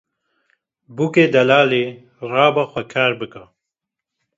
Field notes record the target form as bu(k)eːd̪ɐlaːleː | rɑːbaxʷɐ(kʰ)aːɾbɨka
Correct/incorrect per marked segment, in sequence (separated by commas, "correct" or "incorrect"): correct, correct